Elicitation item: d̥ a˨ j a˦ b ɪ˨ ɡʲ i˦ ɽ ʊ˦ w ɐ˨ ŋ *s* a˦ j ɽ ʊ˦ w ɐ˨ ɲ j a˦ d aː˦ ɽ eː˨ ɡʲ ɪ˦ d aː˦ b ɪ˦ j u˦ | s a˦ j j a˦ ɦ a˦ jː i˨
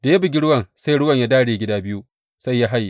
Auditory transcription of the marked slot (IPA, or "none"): s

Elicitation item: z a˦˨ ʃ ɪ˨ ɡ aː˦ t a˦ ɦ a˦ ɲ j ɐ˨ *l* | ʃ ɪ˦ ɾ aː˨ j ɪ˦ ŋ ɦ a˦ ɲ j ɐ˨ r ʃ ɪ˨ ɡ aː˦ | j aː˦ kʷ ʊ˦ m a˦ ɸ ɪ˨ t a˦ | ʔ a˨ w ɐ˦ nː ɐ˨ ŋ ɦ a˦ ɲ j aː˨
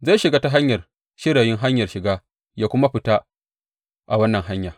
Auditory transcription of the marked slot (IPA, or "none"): r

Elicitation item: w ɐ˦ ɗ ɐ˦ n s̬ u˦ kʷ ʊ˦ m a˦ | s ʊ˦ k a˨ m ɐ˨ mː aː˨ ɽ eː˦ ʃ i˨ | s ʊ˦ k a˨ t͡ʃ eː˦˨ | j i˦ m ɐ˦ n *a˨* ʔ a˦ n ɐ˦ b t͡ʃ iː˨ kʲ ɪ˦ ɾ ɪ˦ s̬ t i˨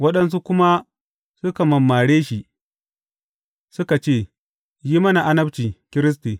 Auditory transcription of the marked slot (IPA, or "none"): a˨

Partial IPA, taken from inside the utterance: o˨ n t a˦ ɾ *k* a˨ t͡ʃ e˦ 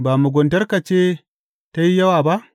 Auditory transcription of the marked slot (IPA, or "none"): k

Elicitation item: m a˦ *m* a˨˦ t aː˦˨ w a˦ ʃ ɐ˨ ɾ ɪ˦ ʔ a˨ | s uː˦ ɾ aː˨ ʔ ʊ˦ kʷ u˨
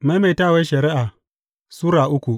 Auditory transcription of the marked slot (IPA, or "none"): m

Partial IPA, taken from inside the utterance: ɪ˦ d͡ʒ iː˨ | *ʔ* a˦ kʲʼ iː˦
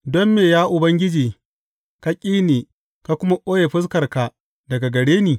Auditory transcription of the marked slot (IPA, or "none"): k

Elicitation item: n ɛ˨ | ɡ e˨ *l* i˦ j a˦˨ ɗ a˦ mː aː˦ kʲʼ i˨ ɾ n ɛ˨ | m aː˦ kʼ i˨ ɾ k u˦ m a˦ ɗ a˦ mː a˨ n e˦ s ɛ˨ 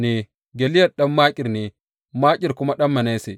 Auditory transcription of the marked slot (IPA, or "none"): l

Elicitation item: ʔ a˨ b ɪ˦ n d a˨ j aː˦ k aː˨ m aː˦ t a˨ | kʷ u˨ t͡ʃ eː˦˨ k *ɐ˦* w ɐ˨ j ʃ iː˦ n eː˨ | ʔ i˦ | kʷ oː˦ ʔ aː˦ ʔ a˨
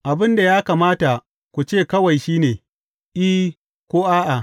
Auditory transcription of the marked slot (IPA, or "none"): ɐ˦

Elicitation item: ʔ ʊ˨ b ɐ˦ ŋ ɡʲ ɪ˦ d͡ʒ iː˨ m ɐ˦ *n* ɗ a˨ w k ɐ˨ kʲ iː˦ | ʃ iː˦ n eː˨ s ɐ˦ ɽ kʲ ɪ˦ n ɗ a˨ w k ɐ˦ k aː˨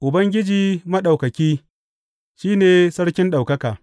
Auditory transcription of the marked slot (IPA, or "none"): none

